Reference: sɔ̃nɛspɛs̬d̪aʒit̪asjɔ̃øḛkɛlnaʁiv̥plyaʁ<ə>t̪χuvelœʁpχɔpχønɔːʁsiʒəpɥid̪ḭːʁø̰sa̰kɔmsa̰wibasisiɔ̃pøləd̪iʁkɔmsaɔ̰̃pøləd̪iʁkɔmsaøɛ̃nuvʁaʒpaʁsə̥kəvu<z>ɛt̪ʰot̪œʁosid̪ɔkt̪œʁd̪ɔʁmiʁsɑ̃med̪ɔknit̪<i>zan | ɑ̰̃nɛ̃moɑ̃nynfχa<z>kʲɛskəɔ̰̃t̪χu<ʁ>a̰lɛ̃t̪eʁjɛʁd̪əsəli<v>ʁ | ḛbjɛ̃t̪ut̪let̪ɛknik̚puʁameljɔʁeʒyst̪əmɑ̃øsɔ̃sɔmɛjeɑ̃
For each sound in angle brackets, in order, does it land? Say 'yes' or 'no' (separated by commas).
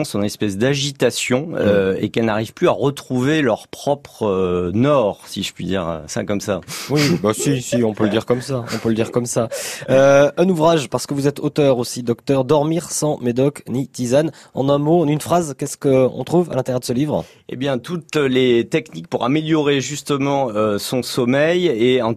yes, yes, yes, yes, no, yes